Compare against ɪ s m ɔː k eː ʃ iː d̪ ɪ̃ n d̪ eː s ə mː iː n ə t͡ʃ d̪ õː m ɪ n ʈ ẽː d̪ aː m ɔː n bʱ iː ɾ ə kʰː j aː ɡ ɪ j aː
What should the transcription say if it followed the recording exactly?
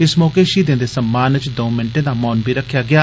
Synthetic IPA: ɪ s m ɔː k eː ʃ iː d̪ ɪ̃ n d̪ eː s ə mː aː n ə t͡ʃ d̪ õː m ɪ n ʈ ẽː d̪ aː m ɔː n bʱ iː ɾ ə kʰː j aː ɡ ɪ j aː